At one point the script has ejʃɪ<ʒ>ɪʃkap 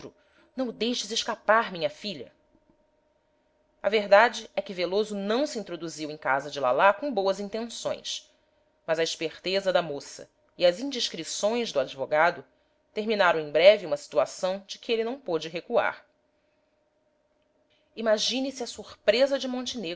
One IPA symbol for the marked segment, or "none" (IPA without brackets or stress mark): z